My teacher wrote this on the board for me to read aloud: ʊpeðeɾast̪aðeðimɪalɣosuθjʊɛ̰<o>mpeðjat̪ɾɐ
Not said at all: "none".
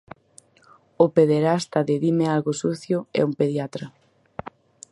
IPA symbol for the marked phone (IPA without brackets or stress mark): u